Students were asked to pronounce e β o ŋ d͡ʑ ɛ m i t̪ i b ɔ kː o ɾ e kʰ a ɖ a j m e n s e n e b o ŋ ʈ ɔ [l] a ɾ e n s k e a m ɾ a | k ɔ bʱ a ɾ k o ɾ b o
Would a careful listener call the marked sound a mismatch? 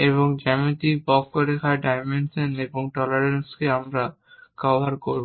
no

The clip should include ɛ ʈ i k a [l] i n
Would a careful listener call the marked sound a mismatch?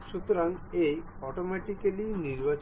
no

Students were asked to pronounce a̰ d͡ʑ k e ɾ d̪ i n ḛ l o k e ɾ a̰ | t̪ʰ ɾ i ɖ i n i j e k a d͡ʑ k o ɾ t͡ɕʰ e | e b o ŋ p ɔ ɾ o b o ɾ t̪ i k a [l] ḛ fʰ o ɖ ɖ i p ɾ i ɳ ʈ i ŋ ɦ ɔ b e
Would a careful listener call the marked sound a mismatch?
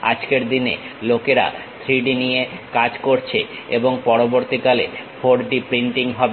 no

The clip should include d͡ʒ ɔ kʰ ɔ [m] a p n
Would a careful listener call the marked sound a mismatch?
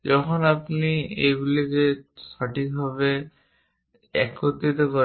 yes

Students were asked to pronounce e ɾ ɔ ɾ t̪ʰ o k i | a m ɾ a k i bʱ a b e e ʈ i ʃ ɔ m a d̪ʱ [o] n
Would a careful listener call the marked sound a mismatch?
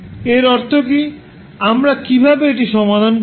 no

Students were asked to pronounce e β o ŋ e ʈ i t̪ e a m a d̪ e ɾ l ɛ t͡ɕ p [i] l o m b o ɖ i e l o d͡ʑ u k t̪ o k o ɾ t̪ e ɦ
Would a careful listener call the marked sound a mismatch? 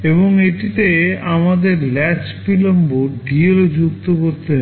no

